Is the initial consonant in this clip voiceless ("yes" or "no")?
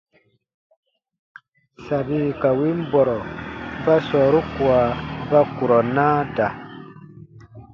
yes